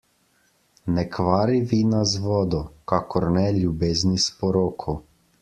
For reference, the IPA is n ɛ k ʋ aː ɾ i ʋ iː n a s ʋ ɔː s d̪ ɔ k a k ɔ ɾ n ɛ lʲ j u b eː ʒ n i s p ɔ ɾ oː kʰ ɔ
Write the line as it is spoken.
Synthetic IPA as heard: n ɛ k ʋ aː ɾ i ʋ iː n a z ʋ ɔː d̪ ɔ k a k ɔ ɾ n ɛ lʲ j u b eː z n i s p ɔ ɾ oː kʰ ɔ